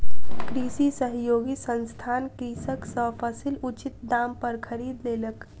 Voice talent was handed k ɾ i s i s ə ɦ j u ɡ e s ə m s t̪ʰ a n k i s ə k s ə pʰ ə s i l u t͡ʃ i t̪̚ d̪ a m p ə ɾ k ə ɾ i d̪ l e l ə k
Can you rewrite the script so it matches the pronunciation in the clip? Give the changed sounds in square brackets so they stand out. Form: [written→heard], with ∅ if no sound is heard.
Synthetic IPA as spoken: k ɾ i s i s ə ɦ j [u→o] ɡ [e→i] s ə [m→n] s t̪ʰ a n k i s ə k s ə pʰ ə s i l u t͡ʃ i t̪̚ d̪ a m p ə ɾ [k→kʰ] ə ɾ i d̪ l e l ə k